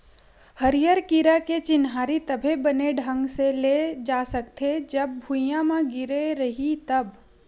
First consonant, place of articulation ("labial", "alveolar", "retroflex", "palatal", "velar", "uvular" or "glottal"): glottal